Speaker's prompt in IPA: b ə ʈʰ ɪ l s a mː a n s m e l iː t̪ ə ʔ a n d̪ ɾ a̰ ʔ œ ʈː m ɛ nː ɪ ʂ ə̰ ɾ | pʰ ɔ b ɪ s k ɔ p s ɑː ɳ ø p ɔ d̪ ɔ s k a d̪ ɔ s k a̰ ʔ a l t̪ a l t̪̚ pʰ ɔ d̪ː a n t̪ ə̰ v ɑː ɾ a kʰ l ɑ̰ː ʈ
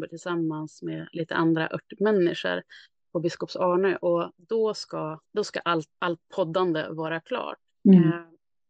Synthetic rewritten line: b ə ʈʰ ɪ l s a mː a n s m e l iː t̪ ə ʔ a n d̪ ɾ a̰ ʔ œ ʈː m ɛ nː ɪ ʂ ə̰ ɾ | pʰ ɔ b ɪ s k ɔ p s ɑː ɳ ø ʔ ɔ d̪ ɔ s k a d̪ ɔ s k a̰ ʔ a l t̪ a l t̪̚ pʰ ɔ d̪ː a n d̪ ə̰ v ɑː ɾ a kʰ l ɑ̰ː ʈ